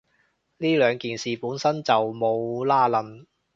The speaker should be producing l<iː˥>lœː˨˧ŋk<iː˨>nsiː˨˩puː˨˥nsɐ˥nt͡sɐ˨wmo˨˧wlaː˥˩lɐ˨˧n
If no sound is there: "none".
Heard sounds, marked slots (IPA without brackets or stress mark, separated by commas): iː˥, iː˨